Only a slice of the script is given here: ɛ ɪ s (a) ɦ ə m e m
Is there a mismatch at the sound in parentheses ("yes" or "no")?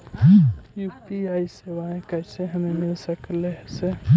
yes